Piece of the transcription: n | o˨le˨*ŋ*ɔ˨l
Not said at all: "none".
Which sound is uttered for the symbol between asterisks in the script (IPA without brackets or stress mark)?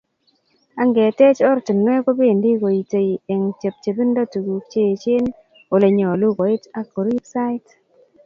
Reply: ɲ